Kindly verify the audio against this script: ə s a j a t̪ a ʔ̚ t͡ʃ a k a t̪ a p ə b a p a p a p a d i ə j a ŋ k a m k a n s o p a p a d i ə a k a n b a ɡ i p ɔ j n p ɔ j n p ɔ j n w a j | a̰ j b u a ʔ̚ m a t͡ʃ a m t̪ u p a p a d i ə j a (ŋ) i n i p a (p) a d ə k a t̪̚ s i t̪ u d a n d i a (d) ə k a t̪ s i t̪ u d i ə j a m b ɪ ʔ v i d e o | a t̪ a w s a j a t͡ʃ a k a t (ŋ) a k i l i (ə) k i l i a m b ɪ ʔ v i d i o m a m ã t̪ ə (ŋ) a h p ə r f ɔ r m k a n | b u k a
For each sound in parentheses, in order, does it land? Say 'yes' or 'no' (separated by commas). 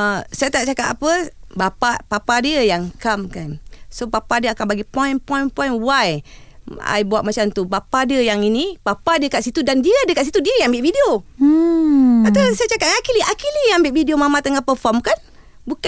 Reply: yes, yes, yes, yes, no, yes